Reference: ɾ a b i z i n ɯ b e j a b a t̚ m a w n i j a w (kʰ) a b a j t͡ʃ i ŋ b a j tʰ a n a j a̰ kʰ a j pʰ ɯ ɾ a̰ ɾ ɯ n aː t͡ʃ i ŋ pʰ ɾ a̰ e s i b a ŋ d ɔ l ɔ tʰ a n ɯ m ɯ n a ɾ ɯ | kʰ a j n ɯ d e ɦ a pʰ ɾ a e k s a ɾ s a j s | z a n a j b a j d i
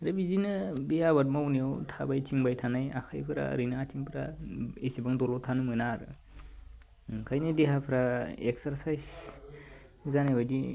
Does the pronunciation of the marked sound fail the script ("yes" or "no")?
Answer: yes